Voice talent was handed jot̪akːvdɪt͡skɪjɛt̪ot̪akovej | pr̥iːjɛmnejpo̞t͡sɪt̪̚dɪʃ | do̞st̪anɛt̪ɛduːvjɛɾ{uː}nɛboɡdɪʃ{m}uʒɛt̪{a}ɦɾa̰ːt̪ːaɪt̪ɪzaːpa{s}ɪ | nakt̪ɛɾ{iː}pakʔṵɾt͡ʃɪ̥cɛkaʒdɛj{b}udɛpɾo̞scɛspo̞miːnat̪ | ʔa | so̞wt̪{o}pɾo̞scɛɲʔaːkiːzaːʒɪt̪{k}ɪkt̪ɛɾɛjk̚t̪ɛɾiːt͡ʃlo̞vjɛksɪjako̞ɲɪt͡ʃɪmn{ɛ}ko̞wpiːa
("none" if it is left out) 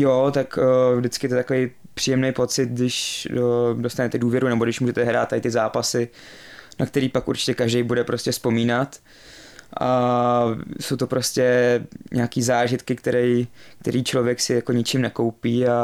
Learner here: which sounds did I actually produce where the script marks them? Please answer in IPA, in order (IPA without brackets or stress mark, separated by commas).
u, m, ɛ, s, iː, b, o, k, ɛ